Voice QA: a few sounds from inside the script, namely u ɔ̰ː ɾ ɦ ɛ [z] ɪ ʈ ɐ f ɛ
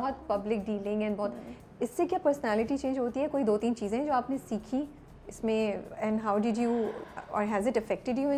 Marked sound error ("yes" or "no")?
no